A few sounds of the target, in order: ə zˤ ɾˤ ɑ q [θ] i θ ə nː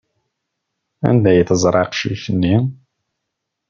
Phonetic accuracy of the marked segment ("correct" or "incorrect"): incorrect